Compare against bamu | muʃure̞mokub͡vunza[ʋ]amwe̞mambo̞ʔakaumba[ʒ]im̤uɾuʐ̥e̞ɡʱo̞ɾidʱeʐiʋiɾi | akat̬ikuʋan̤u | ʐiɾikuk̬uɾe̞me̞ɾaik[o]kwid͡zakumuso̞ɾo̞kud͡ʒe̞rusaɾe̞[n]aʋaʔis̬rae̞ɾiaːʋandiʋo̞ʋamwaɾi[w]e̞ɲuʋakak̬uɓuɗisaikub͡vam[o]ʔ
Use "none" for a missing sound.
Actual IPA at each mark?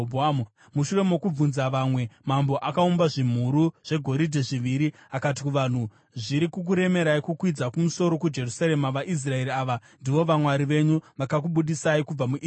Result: ʋ, ʐ, u, m, ʋ, u

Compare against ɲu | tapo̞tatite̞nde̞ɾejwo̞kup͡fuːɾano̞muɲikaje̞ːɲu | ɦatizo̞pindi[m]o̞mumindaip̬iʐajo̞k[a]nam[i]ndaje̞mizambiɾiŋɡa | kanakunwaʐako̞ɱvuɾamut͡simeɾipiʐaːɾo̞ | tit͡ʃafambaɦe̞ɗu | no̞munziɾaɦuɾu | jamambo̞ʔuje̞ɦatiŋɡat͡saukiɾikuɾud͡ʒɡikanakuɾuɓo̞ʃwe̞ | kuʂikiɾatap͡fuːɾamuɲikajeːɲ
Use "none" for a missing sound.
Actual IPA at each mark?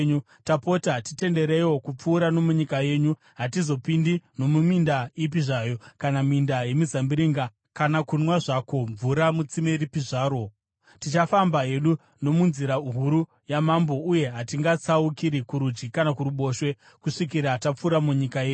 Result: n, a, i

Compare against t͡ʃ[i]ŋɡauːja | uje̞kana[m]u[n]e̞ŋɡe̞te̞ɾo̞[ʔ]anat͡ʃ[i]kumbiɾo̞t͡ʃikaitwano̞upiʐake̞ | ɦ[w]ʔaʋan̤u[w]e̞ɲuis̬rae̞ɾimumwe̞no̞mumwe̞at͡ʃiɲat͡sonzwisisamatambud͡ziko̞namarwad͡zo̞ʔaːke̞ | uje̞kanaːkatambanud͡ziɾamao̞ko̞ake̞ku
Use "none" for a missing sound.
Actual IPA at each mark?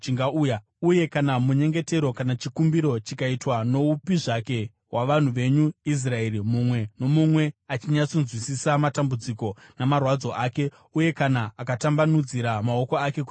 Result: i, m, ɲ, k, i, w, ʋ

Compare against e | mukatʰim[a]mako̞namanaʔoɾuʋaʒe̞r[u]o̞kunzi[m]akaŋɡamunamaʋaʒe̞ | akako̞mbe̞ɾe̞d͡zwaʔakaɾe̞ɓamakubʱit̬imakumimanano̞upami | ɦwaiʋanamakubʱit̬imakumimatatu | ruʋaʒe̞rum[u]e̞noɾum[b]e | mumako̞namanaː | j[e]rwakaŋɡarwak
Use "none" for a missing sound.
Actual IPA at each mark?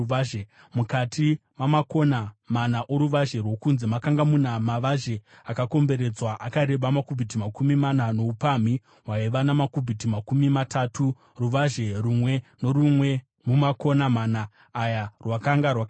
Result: a, w, m, w, w, a

